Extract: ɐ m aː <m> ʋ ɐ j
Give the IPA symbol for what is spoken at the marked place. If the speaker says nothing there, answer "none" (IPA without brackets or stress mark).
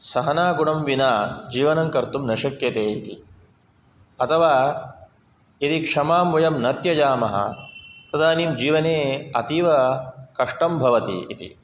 m